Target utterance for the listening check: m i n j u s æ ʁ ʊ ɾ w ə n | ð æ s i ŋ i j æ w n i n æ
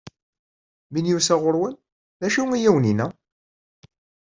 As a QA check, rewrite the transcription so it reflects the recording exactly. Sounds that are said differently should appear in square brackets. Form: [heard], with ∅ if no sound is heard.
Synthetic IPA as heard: m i n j u s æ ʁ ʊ ɾ w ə n | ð æ [ʃ] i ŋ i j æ w n i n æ